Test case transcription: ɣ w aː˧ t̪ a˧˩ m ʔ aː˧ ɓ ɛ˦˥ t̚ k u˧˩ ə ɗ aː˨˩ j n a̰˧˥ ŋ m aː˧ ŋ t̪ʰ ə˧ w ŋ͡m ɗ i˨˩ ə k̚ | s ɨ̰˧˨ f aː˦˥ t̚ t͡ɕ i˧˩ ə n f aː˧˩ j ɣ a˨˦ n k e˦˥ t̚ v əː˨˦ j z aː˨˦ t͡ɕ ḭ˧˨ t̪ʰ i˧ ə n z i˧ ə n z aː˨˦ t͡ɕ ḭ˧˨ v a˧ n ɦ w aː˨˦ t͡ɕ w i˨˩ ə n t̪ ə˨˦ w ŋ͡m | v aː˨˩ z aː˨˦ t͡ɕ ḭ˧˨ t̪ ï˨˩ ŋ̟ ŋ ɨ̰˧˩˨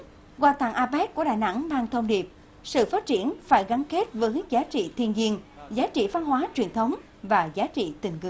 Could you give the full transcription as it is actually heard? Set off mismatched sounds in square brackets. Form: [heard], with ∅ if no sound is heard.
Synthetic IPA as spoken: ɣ w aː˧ t̪ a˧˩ [ŋ] ʔ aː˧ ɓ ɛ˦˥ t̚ k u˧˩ ə ɗ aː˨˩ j n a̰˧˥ ŋ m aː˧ ŋ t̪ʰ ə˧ w ŋ͡m ɗ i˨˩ ə [p̚] | s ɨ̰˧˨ f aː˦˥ t̚ t͡ɕ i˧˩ ə n f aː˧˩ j ɣ a˨˦ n k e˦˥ t̚ v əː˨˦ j z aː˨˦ t͡ɕ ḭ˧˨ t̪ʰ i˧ ə n z i˧ ə n z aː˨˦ t͡ɕ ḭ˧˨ v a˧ n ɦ w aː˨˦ t͡ɕ w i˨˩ ə n [t̪ʰ] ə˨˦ w ŋ͡m | v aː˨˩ z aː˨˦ t͡ɕ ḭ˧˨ t̪ ï˨˩ ŋ̟ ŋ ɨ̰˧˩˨